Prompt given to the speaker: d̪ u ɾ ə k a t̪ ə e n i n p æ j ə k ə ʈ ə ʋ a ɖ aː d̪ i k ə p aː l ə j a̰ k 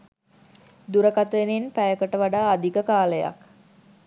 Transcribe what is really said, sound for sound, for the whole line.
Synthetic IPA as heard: d̪ u ɾ ə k a t̪ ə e n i n p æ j ə k ə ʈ ə ʋ a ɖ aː d̪ i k ə k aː l ə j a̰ k

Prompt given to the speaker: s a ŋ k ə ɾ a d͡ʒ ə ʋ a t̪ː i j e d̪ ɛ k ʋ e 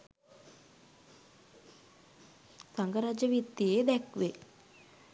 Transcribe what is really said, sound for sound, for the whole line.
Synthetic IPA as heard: s a ŋ ɡ ə ɾ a d͡ʒ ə ʋ i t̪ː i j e d̪ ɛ k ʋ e

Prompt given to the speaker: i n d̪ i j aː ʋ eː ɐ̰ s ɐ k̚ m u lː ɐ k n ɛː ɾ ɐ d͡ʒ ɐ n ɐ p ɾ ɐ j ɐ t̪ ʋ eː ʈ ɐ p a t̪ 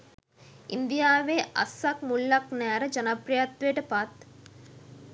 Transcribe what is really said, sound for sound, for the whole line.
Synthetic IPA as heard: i n d̪ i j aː ʋ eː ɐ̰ s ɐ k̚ m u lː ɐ k n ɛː ɾ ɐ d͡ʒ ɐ n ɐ p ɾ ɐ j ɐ t̪ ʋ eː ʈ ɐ p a t̪

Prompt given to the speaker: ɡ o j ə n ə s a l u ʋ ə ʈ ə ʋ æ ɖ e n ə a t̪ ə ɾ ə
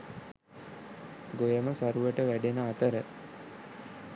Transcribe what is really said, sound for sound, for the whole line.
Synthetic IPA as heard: ɡ o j ə m ə s a ɾ u ʋ ə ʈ ə ʋ æ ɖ e n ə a t̪ ə ɾ ə

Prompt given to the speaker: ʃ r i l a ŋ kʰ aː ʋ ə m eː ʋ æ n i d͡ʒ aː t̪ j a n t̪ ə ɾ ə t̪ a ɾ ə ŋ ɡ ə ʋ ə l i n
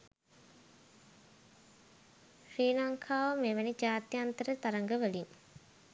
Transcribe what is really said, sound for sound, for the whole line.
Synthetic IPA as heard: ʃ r iː l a ŋ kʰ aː ʋ ə m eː ʋ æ n i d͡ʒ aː t̪ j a n t̪ ə ɾ ə t̪ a ɾ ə ŋ ɡ ə ʋ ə l i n

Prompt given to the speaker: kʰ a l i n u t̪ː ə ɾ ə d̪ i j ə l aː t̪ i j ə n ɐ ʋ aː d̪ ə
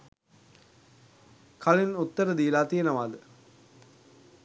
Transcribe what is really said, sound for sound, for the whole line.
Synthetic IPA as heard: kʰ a l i n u t̪ː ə ɾ ə d̪ i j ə l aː t̪ i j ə n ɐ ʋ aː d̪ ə

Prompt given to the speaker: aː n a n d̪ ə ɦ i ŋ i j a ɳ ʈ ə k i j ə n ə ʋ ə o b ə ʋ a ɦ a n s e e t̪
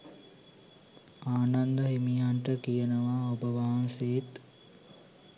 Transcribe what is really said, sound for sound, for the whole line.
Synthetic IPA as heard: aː n a n d̪ ə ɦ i m i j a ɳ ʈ ə k i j ə n ə ʋ a o b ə ʋ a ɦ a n s e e t̪

